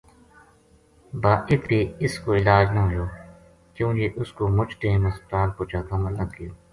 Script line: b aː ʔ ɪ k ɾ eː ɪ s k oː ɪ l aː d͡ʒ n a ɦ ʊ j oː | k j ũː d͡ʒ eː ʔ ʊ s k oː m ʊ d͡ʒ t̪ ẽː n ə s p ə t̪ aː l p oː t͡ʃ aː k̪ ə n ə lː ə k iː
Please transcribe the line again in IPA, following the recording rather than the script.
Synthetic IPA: b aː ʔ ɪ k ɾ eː ɪ s k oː ɪ l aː d͡ʒ n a ɦ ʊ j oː | k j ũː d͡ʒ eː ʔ ʊ s k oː m ʊ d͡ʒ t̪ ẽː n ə s p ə t̪ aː l p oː t͡ʃ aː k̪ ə m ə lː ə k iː